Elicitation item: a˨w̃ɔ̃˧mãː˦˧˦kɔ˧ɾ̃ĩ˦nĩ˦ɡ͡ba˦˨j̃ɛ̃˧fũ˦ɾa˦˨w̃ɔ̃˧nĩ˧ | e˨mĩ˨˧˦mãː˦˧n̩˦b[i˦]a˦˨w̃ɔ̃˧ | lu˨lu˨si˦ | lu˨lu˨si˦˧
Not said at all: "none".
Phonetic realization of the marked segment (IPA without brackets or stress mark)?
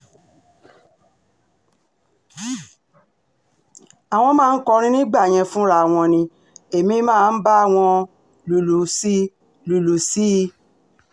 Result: a˦